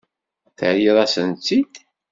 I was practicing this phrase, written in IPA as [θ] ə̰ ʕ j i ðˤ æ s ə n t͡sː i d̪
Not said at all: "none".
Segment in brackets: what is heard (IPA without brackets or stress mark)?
θ